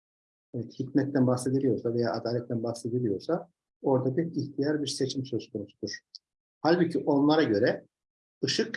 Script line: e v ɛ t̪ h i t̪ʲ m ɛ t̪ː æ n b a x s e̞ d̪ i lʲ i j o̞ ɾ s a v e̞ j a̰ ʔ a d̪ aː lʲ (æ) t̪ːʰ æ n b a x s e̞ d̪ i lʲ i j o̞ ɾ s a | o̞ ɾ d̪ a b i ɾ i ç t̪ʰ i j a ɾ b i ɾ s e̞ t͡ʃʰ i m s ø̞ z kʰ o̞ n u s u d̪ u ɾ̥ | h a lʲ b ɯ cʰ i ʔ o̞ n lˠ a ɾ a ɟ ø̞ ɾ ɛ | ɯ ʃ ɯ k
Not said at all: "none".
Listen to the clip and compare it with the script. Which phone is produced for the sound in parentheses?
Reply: ɛ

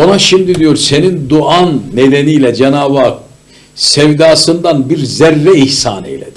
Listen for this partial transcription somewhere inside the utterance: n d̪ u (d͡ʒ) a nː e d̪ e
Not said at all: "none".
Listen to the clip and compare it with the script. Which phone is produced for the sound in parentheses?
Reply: none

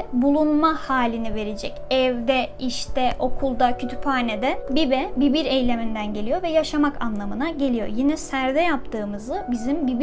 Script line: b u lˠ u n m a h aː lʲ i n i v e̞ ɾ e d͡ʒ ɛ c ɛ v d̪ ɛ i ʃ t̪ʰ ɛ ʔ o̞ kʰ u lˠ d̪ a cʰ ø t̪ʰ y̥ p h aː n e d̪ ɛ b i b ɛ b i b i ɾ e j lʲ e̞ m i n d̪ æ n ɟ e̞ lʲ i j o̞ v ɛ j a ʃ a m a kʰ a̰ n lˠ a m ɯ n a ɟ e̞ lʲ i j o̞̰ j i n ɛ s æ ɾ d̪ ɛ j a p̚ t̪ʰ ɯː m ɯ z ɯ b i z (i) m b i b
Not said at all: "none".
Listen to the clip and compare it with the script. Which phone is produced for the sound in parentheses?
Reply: i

